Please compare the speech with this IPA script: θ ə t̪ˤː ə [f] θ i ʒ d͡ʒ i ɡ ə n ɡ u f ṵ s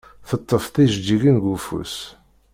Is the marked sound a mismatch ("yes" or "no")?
no